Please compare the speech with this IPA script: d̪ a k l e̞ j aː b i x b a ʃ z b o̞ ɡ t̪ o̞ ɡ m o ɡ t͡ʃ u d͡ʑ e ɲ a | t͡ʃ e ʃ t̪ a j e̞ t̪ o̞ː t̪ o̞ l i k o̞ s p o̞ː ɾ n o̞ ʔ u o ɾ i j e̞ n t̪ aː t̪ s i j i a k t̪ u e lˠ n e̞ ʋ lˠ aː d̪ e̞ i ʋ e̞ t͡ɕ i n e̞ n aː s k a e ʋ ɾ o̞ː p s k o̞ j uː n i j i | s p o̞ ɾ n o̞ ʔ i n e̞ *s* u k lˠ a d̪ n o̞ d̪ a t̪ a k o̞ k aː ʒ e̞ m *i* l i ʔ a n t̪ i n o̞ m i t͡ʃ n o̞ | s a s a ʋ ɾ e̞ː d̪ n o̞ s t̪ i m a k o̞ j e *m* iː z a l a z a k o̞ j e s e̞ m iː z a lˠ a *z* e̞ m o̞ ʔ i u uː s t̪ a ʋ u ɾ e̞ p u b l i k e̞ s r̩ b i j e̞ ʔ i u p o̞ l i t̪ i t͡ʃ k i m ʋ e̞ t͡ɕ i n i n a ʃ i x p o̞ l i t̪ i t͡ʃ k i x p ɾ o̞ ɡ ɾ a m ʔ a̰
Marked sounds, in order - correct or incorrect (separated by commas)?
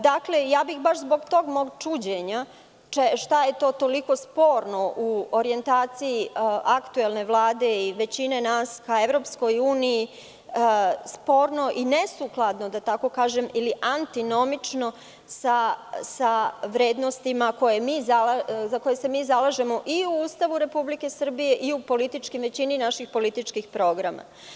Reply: correct, correct, correct, incorrect